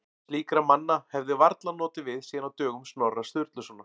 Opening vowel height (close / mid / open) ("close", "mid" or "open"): close